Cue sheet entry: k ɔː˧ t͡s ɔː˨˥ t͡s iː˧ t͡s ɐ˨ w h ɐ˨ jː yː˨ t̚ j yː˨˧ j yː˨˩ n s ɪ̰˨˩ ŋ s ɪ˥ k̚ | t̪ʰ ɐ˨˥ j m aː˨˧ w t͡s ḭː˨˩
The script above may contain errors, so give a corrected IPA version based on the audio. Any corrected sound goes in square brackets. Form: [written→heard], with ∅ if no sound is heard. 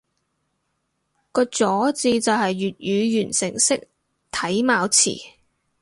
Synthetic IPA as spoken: k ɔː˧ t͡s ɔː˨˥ t͡s iː˧ t͡s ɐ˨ w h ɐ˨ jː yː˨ t̚ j yː˨˧ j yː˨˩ n s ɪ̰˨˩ ŋ s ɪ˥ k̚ | t̪ʰ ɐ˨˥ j m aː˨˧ w [t͡s→t͡sʰ] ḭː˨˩